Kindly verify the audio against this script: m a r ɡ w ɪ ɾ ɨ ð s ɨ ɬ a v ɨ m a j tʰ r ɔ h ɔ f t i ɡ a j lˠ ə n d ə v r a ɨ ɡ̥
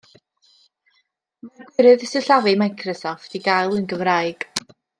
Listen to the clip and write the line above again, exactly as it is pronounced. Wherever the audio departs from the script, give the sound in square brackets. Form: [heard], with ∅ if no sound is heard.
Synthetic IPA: m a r ɡ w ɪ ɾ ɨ ð s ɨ ɬ a v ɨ m a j [kʰ] r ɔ [s] ɔ f t i ɡ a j lˠ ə n [ɡ] ə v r a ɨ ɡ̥